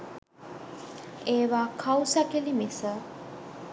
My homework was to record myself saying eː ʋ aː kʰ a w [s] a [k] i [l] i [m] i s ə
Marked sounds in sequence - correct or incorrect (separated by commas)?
correct, correct, correct, correct